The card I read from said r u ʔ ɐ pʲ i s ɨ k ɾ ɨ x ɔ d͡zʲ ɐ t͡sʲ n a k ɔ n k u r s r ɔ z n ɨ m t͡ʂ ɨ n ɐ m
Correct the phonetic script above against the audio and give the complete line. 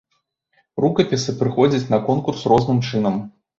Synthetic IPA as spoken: r u k ɐ pʲ i s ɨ p ɾ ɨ x ɔ d͡zʲ ɐ t͡sʲ n ɐ k ɔ n k u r s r ɔ z n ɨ m t͡ʂ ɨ n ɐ m